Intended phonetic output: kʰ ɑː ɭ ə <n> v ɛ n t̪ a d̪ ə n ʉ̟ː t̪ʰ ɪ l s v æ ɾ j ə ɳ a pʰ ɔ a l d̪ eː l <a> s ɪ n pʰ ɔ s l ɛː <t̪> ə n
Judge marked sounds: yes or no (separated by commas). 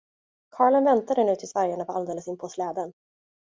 yes, no, no